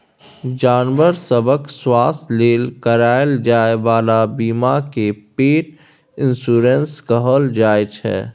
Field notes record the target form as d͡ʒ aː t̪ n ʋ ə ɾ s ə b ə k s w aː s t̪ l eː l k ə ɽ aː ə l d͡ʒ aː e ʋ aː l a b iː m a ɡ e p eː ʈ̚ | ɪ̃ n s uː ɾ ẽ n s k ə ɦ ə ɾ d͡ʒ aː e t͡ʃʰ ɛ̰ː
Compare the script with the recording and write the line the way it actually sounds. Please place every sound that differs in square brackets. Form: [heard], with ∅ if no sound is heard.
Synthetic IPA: d͡ʒ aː [∅] n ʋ ə ɾ s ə b ə k s w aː s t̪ l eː l k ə [ɾ] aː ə l d͡ʒ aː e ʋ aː l a b iː m a [k] e p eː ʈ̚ | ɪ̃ n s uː ɾ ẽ n s k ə ɦ ə [l] d͡ʒ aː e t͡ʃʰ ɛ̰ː